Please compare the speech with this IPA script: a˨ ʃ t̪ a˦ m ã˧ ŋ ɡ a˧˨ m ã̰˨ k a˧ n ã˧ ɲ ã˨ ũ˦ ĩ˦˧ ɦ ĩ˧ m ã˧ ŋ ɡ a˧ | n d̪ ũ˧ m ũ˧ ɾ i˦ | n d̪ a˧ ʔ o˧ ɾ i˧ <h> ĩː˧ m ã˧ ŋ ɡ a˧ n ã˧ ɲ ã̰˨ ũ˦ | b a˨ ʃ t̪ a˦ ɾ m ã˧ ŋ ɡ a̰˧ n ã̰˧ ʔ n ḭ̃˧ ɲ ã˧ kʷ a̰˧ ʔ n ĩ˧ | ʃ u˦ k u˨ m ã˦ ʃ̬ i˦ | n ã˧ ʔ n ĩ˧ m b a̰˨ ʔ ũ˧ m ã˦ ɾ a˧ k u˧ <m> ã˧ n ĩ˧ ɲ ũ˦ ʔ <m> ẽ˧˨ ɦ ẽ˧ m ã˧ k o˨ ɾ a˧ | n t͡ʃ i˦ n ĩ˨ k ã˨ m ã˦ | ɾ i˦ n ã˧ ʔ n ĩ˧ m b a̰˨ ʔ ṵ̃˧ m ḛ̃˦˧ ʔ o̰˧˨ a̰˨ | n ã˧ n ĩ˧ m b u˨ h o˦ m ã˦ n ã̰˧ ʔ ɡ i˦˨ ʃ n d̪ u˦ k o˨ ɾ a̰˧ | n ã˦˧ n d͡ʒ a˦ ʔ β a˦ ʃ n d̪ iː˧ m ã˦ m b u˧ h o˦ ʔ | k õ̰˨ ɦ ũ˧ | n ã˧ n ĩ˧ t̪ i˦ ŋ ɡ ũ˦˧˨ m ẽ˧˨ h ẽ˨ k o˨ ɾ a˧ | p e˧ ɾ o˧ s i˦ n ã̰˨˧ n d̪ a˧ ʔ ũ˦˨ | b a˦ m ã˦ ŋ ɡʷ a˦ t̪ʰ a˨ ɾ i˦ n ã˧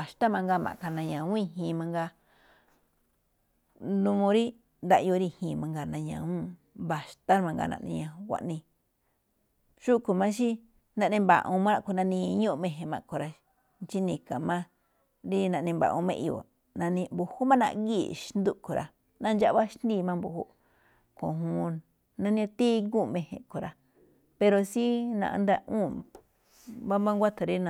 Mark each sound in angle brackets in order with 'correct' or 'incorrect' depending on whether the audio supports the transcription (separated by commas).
correct, incorrect, correct